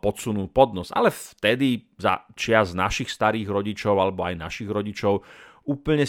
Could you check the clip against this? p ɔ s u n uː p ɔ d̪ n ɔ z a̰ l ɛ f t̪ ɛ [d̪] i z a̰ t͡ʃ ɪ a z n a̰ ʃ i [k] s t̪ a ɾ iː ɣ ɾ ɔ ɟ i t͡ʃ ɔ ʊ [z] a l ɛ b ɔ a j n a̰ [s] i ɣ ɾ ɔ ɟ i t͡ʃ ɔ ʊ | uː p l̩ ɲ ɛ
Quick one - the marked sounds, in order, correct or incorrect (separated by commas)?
correct, incorrect, incorrect, incorrect